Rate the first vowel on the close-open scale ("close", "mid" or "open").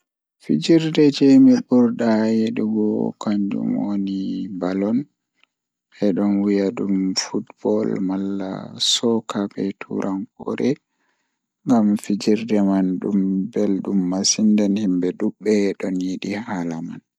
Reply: close